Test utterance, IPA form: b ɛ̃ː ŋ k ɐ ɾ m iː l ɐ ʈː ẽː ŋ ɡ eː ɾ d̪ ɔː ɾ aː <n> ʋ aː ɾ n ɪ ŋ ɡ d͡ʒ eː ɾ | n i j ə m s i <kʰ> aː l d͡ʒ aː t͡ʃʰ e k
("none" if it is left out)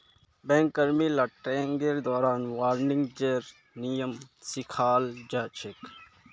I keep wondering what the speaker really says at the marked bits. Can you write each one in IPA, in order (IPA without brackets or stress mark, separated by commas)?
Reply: n, kʰ